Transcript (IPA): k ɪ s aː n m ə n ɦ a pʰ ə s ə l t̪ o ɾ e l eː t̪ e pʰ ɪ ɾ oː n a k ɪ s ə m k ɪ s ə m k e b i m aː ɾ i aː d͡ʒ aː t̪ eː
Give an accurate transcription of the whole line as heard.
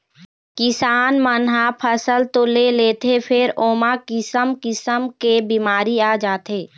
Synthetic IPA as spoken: k ɪ s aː n m ə n ɦ a pʰ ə s ə l t̪ o l e l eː t̪ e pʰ ɪ ɾ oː m a k ɪ s ə m k ɪ s ə m k e b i m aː ɾ i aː d͡ʒ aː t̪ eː